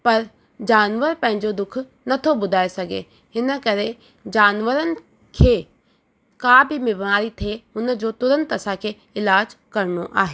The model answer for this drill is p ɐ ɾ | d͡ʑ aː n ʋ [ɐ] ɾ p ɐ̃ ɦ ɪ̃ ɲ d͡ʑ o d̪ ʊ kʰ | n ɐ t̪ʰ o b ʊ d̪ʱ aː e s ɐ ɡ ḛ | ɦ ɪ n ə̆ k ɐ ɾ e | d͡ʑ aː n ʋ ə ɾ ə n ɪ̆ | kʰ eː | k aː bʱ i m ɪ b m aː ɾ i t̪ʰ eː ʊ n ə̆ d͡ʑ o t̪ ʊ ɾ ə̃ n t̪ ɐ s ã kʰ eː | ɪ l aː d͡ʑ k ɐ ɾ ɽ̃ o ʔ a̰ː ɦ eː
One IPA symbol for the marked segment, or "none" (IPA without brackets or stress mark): ə